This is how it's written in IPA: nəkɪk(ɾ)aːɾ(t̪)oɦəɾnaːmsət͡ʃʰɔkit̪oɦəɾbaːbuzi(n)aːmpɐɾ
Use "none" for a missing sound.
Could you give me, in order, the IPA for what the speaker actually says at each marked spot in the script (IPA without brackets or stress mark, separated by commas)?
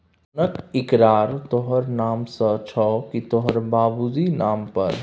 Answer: ɾ, t̪, n